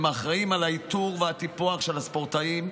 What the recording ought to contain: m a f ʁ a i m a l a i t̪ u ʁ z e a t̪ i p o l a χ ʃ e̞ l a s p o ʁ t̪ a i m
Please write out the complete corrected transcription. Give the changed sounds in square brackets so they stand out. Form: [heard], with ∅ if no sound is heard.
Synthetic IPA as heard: m a [χ] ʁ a i m a l a i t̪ u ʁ [v] e a t̪ i p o [∅] a χ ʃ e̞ l a s p o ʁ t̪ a i m